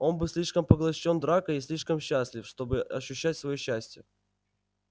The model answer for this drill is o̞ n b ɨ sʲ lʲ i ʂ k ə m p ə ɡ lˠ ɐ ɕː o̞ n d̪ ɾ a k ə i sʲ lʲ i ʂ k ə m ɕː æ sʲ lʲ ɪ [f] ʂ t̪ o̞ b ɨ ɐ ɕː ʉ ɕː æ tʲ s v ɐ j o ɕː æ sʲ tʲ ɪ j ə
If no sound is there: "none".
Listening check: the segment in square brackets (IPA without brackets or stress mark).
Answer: f